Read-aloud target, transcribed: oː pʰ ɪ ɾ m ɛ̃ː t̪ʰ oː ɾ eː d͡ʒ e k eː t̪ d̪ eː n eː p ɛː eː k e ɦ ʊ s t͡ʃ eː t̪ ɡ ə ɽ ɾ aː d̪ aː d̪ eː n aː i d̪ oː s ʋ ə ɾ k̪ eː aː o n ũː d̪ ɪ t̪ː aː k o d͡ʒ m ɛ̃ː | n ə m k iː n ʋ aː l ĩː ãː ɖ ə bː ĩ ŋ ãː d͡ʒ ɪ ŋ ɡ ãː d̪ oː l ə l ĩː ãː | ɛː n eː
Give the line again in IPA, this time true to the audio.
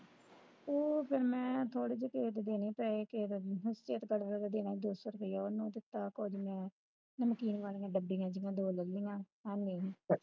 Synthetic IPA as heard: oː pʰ ɪ ɾ m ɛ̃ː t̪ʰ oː ɽ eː d͡ʒ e k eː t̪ d̪ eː n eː p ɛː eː k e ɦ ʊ s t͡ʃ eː t̪ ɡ ə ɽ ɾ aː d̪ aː d̪ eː n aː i d̪ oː s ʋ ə ɾ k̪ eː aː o n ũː d̪ ɪ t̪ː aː k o d͡ʒ m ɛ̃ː | n ə m k iː n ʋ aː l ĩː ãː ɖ ə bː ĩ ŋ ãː d͡ʒ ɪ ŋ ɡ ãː d̪ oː l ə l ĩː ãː | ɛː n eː

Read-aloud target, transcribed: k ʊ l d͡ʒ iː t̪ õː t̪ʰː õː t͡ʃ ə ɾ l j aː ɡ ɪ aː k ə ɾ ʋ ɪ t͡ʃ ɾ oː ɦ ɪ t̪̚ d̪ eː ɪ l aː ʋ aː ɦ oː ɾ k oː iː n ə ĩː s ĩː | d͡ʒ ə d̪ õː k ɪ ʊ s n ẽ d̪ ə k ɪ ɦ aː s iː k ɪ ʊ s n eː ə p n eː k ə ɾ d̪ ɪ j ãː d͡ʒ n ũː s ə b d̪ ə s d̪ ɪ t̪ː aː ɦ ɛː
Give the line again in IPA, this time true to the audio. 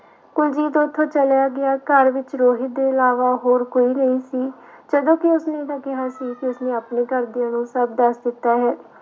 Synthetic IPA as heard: k ʊ l d͡ʒ iː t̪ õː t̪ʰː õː t͡ʃ ə l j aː ɡ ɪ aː k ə ɾ ʋ ɪ t͡ʃ ɾ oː ɦ ɪ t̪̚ d̪ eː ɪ l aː ʋ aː ɦ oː ɾ k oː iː n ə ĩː s iː | d͡ʒ ə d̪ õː k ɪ ʊ s n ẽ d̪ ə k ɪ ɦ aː s iː k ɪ ʊ s n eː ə p n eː k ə ɾ d̪ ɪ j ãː n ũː s ə b d̪ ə s d̪ ɪ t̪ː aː ɦ ɛː

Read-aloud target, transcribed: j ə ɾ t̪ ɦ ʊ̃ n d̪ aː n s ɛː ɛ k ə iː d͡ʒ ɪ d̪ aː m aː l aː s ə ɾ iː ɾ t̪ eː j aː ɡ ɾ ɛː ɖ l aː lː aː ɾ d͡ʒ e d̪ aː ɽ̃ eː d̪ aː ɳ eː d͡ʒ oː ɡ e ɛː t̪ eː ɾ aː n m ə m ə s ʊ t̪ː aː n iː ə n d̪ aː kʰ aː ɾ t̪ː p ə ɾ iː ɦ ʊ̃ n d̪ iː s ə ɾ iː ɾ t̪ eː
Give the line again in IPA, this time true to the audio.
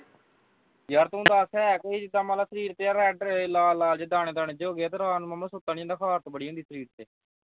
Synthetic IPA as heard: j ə ɾ t̪ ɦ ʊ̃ n d̪ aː s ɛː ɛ k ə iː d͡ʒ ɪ d̪ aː m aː l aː s ə ɾ iː ɾ t̪ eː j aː ɾ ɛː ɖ l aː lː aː l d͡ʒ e d̪ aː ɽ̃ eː d̪ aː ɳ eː d͡ʒ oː ɡ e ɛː t̪ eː ɾ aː n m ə m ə s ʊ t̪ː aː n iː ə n d̪ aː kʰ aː ɾ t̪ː b ə ɽ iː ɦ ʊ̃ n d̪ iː s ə ɾ iː ɾ t̪ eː

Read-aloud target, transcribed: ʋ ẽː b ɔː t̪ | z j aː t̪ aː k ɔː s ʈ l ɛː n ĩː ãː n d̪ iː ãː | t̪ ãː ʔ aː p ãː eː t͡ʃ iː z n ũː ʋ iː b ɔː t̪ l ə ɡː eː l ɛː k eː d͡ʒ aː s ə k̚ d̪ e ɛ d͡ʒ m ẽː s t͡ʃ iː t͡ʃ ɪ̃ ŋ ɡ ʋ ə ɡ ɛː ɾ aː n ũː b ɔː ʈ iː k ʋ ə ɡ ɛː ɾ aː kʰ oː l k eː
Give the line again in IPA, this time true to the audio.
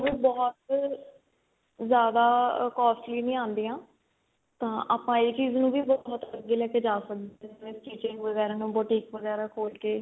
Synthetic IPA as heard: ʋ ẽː b ɔː t̪ | z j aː d̪ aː k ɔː s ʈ l iː n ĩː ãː n d̪ iː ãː | t̪ ãː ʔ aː p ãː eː t͡ʃ iː z n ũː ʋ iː b ɔː t̪ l ə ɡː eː l ɛː k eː d͡ʒ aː s ə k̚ d̪ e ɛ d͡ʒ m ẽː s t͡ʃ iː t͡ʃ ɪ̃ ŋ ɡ ʋ ə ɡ ɛː ɾ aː n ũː b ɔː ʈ iː k ʋ ə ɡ ɛː ɾ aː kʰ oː l k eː

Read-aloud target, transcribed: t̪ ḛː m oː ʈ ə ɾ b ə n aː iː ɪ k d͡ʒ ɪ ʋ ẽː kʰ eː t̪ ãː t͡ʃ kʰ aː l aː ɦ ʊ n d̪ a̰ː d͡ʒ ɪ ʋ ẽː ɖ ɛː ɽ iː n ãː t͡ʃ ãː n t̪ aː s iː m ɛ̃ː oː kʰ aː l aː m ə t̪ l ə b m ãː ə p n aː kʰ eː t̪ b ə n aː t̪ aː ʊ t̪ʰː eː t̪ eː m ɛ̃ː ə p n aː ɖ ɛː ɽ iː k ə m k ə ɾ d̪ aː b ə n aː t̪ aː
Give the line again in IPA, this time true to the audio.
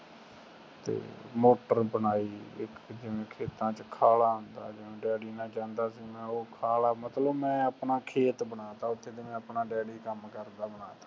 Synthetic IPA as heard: t̪ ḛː m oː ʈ ə ɾ b ə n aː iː ɪ k d͡ʒ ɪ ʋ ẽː kʰ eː t̪ ãː t͡ʃ kʰ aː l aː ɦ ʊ n d̪ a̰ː d͡ʒ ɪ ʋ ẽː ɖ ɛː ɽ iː n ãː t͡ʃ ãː n d̪ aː s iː m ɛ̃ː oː kʰ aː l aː m ə t̪ l ə b m ɛ̃ː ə p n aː kʰ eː t̪ b ə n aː t̪ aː ʊ t̪ʰː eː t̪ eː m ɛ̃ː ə p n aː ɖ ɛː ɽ iː k ə m k ə ɾ d̪ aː b ə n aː t̪ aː

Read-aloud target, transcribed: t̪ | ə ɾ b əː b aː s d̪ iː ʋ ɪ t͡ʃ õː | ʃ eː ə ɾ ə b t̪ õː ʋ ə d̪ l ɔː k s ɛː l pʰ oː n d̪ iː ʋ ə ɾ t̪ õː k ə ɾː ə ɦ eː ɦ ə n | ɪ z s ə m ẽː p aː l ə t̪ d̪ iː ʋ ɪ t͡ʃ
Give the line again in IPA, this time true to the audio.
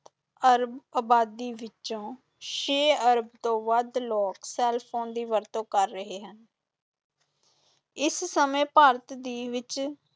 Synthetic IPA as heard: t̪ | ə ɾ b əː b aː d̪ iː ʋ ɪ t͡ʃ õː | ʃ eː ə ɾ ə b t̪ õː ʋ ə d̪ l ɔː k s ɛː l pʰ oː n d̪ iː ʋ ə ɾ t̪ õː k ə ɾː ə ɦ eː ɦ ə n | ɪ s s ə m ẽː p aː ɾ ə t̪ d̪ iː ʋ ɪ t͡ʃ

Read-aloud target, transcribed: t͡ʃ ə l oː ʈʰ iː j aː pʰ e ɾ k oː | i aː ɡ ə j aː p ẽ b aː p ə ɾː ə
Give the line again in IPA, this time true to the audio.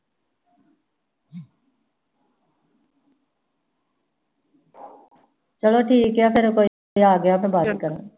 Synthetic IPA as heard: t͡ʃ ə l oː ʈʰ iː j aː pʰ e ɾ k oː | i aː ɡ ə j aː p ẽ b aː k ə ɾ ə

